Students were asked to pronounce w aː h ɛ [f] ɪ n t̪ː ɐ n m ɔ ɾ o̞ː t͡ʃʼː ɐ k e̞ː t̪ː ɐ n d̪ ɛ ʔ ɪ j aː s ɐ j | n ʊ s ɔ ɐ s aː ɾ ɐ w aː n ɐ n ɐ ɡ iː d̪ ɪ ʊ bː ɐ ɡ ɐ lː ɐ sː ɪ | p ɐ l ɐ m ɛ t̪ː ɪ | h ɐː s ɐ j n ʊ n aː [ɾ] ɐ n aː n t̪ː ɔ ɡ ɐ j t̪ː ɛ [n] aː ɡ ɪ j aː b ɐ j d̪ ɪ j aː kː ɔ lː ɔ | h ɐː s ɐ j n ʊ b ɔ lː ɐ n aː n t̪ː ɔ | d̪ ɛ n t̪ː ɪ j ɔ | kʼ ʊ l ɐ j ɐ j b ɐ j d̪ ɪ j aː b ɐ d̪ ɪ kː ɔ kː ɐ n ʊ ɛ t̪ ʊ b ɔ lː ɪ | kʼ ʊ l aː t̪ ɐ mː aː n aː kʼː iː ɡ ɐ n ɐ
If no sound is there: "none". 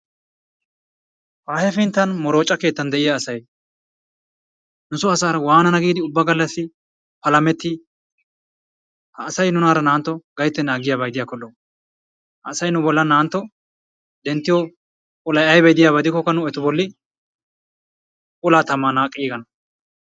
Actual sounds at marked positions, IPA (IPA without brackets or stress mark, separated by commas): f, ɾ, n